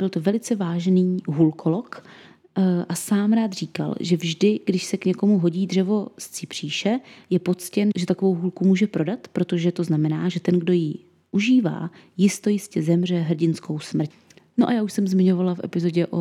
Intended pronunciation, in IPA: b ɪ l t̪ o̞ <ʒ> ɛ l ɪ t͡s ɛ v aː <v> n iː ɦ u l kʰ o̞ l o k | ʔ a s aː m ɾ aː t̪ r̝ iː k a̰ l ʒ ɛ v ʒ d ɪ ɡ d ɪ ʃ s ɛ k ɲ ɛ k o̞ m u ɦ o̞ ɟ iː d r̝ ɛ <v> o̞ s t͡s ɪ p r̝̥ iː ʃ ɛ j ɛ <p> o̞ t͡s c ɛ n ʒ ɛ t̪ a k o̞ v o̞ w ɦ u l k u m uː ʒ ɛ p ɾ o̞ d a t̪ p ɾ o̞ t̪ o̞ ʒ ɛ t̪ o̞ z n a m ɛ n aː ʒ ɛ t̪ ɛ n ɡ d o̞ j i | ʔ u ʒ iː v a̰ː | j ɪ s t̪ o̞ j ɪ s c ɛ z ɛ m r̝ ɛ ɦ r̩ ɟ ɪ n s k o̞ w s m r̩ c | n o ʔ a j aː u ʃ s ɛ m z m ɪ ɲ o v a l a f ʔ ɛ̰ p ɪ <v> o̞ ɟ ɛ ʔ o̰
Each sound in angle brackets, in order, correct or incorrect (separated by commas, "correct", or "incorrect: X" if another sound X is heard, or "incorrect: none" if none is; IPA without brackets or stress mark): incorrect: v, incorrect: ʒ, correct, correct, incorrect: z